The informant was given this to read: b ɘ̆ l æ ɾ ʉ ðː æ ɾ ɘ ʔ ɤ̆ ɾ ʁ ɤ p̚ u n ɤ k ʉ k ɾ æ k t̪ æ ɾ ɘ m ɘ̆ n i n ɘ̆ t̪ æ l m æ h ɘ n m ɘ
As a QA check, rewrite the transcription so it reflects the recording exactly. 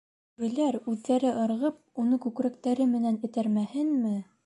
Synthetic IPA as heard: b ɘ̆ l æ ɾ ʉ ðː æ ɾ ɘ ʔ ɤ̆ ɾ ʁ ɤ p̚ u n ɤ k ʉ k ɾ æ k t̪ æ ɾ ɘ m ɘ̆ n æ n ɘ̆ t̪ æ ɾ m æ h ɘ n m ɘ